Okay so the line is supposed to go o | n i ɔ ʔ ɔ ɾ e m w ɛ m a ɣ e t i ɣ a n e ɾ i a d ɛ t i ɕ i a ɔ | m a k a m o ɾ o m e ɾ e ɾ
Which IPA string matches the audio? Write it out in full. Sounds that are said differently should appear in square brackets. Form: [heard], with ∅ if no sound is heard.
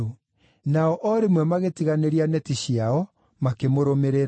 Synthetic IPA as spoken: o | n [a] ɔ ʔ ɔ ɾ e m w ɛ m a ɣ e t i ɣ a n e ɾ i a [n] ɛ t i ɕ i a ɔ | m a k [e] m o ɾ o m e ɾ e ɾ